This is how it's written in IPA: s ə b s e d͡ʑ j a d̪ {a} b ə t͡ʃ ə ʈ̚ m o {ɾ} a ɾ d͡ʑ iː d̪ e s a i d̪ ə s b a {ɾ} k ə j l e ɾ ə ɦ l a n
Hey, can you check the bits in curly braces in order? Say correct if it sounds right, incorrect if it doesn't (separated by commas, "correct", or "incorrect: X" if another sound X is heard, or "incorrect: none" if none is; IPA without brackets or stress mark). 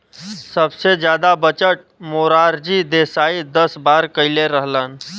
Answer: correct, correct, correct